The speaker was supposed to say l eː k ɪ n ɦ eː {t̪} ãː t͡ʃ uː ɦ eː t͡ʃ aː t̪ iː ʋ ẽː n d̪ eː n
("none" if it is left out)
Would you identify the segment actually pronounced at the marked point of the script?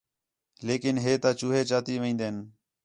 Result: t̪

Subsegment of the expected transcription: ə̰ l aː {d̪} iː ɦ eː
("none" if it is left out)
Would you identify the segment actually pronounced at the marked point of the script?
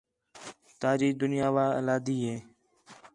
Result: d̪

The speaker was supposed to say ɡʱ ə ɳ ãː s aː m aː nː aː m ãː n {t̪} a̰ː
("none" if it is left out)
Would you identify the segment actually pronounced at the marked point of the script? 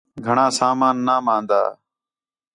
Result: d̪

